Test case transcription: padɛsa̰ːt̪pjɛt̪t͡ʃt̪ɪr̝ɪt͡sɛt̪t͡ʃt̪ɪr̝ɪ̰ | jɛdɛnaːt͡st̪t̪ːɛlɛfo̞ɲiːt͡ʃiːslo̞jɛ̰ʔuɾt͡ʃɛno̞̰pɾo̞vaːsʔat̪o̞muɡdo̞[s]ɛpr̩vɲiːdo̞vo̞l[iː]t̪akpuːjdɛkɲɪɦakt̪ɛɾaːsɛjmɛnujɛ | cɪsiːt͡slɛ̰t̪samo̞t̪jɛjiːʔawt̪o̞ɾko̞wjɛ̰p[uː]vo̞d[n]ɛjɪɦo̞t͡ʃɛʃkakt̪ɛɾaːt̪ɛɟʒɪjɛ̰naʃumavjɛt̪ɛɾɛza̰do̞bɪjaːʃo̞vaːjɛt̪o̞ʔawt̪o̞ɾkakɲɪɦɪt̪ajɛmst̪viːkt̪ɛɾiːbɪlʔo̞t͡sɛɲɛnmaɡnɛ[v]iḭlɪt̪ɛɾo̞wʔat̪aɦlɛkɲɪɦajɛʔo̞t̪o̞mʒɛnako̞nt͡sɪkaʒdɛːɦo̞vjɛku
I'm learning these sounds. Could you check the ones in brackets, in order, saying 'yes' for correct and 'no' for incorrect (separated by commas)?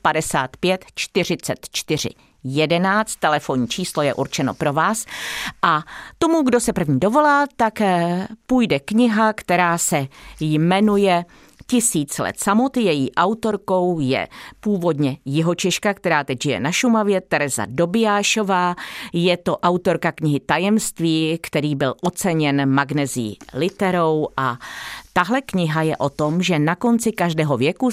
yes, no, yes, no, no